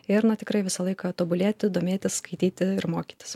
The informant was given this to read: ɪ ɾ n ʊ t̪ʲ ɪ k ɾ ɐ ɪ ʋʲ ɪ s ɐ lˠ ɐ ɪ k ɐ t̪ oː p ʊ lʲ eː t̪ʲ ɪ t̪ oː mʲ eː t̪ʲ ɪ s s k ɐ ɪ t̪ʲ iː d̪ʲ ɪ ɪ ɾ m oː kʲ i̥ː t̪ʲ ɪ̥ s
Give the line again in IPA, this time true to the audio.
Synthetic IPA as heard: ɪ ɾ n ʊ t̪ʲ ɪ k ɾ ɐ ɪ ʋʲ ɪ s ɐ lˠ ɐ ɪ k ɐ t̪ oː b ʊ lʲ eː t̪ʲ ɪ d̪ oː mʲ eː t̪ʲ ɪ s s k ɐ ɪ t̪ʲ iː t̪ʲ ɪ ɪ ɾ m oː kʲ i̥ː t̪ʲ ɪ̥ s